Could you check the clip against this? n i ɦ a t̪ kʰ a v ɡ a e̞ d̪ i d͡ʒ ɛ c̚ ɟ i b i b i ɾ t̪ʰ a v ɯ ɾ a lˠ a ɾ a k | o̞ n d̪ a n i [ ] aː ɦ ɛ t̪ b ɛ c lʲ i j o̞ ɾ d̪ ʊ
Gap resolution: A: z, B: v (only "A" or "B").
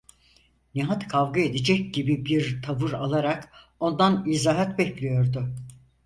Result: A